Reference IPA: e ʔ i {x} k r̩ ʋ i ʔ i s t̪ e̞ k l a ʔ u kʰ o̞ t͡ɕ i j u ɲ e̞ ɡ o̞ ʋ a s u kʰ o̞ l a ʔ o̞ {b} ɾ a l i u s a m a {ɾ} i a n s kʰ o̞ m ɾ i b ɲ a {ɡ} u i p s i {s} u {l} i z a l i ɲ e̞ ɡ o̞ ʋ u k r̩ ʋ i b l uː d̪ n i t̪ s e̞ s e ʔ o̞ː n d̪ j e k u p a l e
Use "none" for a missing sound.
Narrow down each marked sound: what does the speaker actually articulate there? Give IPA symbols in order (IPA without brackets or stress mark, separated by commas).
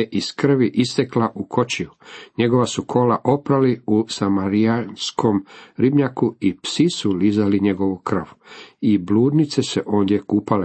s, p, ɾ, k, s, l